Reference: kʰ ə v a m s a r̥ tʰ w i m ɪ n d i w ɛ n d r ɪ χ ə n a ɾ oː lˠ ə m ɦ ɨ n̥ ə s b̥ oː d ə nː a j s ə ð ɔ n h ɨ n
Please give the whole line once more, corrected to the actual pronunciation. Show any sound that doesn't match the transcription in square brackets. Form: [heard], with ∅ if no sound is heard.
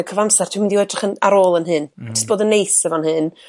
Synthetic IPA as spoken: kʰ ə v a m s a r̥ tʰ w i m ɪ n d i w ɛ [∅] d r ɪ χ ə n a ɾ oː lˠ ə [n] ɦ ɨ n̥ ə s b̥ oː d ə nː [e] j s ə [v] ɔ n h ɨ n